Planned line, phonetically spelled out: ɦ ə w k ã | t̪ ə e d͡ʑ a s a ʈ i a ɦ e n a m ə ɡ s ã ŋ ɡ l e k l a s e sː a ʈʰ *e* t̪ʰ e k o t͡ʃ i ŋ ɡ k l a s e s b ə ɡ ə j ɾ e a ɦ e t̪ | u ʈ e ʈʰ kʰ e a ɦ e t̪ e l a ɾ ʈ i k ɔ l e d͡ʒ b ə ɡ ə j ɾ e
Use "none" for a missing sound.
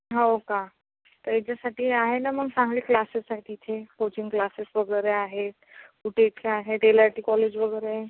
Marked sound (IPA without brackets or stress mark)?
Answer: i